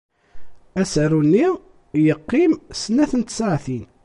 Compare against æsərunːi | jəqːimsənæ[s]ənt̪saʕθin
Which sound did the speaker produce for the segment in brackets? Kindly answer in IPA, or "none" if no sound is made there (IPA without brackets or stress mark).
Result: θ